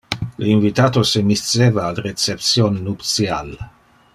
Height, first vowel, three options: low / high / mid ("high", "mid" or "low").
high